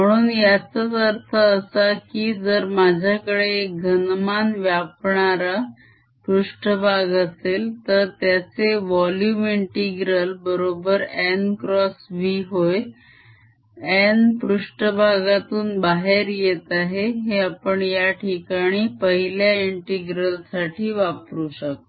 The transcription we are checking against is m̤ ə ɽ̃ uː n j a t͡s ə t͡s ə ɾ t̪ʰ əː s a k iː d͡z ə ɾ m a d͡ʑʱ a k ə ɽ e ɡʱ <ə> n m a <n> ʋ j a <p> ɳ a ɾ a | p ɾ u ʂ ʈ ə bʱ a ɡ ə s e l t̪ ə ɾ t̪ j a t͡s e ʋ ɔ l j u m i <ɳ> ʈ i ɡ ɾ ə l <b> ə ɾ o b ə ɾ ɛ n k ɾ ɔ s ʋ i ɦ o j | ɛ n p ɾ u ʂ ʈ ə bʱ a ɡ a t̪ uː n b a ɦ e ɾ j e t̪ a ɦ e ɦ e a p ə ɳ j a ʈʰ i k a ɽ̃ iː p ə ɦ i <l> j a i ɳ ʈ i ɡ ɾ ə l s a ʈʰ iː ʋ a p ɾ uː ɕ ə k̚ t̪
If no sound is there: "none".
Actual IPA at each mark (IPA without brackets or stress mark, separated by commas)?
ə, n, p, ɳ, b, l